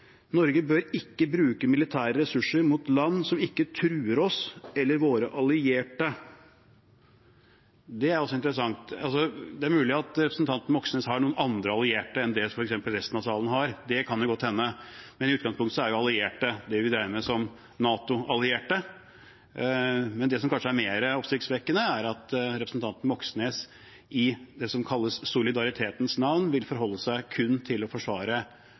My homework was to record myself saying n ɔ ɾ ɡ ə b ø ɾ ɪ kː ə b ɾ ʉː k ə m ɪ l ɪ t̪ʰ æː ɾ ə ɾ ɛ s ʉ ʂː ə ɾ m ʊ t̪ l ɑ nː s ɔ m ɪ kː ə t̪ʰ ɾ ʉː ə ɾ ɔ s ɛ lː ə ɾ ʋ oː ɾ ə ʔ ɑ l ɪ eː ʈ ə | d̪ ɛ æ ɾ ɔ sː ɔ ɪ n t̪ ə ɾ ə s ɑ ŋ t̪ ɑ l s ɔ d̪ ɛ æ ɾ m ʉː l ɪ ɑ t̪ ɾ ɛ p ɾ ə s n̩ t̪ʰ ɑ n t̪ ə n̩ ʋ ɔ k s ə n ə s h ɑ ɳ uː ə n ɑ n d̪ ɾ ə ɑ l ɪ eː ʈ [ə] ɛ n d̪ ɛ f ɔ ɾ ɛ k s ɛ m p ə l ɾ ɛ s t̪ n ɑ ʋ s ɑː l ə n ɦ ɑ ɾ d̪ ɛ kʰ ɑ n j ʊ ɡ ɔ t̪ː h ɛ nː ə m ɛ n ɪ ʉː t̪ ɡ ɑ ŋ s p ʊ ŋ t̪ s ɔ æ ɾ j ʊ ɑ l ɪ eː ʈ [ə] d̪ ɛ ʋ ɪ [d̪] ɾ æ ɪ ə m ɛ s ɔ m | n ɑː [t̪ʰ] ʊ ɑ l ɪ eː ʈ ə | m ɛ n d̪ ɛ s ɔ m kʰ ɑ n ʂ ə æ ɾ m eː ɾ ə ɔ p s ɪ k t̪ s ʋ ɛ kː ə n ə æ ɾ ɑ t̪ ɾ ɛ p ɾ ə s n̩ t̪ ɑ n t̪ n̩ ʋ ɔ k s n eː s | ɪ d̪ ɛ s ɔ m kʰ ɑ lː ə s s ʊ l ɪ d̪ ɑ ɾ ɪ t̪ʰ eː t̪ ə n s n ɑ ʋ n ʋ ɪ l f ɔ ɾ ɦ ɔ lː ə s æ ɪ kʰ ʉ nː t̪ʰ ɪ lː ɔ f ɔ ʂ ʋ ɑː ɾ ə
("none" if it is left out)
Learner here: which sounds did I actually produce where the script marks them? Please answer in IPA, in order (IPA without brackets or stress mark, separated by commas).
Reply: ə, ə, d̪, t̪